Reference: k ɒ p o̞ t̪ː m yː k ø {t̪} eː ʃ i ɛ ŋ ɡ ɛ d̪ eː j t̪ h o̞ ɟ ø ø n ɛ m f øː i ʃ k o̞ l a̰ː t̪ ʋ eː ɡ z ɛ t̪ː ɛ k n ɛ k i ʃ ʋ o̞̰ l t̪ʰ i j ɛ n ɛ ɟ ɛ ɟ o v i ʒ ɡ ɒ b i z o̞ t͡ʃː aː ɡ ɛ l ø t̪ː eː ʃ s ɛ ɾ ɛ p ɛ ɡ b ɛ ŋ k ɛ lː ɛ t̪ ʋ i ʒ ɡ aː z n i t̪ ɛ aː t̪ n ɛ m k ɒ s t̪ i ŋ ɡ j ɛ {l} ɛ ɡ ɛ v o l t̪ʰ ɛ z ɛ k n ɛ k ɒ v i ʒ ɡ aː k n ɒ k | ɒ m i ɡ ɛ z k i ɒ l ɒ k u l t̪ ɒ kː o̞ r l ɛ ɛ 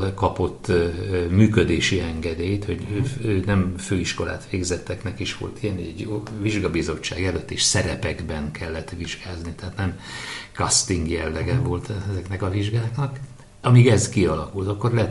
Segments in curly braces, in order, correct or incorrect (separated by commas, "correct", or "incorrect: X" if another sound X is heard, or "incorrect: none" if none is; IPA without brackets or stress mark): incorrect: d̪, incorrect: lː